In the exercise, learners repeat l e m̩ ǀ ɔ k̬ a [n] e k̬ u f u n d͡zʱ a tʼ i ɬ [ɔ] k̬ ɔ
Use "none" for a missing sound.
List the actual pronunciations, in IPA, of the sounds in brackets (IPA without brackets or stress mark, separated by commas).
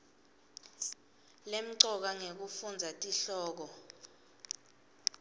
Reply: ŋ, ɔː